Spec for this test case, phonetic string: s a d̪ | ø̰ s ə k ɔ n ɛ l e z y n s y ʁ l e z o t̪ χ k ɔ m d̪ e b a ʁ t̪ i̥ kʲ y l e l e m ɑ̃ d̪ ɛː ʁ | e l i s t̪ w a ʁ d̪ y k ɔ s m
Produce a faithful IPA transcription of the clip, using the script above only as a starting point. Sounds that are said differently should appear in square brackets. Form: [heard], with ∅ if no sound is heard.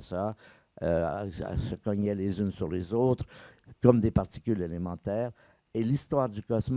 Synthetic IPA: s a [∅] | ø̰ s ə k ɔ [ɲ] ɛ l e z y n s y ʁ l e z o t̪ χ k ɔ m d̪ e [p] a ʁ t̪ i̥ kʲ y l e l e m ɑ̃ [t̪] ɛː ʁ | e l i s t̪ w a ʁ d̪ y k ɔ s m